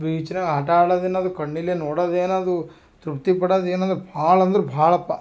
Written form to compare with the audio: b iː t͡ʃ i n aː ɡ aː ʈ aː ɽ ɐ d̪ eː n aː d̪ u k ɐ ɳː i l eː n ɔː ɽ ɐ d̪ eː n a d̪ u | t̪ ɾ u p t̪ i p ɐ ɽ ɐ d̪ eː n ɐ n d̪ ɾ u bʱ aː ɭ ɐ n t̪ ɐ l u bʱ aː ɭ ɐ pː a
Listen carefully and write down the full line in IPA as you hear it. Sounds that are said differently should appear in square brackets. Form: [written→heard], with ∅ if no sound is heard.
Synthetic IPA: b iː t͡ʃ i n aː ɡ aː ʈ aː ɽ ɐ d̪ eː n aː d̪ u k ɐ ɳː i l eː n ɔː ɽ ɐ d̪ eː n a d̪ u | t̪ ɾ u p t̪ i p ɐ ɽ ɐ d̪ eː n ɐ n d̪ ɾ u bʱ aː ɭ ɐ n [t̪→d̪] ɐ [l→ɾ] u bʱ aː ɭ ɐ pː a